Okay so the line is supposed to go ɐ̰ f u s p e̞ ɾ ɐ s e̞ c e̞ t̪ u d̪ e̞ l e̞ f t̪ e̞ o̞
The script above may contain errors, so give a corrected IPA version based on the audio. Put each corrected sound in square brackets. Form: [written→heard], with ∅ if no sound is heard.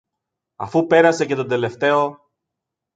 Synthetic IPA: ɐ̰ f u [s→∅] p e̞ ɾ ɐ s e̞ c e̞ t̪ [u→o] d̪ e̞ l e̞ f t̪ e̞ o̞